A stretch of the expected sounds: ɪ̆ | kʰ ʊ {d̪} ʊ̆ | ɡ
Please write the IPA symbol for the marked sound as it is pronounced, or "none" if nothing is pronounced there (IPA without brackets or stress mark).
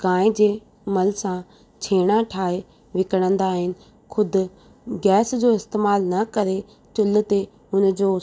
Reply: d̪